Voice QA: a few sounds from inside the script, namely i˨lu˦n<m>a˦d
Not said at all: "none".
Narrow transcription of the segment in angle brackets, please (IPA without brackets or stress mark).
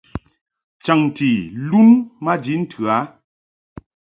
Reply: m